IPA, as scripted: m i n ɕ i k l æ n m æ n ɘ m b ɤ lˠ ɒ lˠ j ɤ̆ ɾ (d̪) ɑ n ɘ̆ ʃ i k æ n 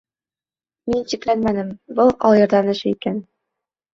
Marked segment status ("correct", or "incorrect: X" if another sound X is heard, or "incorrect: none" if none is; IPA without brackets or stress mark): correct